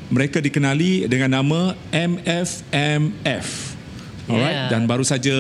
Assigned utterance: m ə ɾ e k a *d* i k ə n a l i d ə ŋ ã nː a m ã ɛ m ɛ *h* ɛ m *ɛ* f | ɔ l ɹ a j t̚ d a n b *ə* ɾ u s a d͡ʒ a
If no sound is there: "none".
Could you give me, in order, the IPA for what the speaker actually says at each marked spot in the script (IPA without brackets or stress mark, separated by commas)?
d, f, ɛ, a